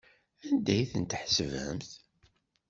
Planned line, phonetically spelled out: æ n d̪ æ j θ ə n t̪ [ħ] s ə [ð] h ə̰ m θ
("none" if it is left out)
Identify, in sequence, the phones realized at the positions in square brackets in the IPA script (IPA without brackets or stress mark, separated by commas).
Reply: ħ, v